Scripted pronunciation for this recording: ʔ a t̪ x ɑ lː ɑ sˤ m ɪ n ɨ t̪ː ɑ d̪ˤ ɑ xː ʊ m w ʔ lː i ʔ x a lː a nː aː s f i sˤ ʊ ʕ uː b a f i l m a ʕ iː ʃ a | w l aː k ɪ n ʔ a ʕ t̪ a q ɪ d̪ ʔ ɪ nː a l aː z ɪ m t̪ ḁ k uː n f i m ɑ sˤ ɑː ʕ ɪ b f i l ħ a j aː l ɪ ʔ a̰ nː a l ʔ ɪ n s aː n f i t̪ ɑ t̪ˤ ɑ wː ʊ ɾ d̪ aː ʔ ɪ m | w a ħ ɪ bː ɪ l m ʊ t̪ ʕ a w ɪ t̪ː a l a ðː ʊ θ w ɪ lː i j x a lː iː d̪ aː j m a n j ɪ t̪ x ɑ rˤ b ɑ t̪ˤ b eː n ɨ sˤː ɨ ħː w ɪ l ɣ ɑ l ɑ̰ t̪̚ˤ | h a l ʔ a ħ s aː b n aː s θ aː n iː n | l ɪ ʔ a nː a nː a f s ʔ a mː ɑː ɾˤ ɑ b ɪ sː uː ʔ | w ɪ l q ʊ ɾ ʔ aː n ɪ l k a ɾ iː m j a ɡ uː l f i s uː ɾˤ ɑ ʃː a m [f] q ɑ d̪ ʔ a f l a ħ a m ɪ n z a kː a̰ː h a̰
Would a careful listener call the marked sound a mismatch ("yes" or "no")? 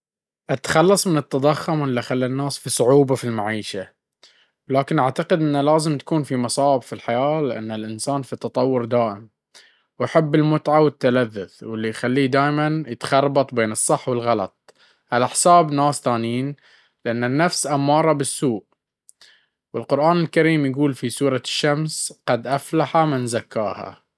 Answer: yes